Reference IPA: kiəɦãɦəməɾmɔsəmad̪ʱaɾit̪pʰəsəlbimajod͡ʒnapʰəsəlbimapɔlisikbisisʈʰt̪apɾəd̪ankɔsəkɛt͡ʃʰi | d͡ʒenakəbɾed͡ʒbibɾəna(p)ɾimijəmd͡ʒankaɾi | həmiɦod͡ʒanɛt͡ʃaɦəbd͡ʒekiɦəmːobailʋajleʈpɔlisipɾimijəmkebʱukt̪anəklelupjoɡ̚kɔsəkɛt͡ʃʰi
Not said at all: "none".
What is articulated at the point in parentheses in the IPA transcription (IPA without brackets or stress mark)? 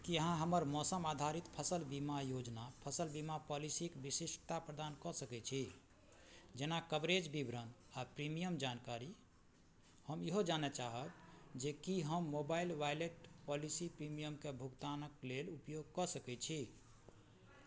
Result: p